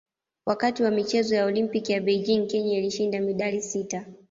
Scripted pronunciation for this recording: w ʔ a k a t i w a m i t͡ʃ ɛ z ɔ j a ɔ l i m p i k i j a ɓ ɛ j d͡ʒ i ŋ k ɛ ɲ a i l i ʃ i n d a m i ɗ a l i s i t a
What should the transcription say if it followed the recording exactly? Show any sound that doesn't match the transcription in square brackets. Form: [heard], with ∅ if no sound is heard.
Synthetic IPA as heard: w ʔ a k a t i w a m i t͡ʃ ɛ z ɔ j a ɔ l i m p i k i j a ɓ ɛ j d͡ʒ i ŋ k ɛ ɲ a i l i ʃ i n d a m i ɗ a l i s i t a